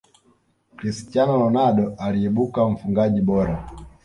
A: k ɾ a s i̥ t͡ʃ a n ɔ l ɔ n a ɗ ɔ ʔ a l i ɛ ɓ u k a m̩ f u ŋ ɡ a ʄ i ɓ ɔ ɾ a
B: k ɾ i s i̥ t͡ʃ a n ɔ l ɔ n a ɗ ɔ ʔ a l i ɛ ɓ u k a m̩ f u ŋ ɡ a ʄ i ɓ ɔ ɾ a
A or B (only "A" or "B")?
B